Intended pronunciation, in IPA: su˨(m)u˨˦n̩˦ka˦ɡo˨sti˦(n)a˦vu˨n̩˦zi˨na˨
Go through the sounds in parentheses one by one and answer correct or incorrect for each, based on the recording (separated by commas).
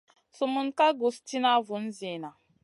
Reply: correct, correct